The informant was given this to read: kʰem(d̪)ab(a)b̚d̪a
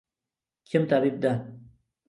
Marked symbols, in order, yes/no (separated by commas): no, no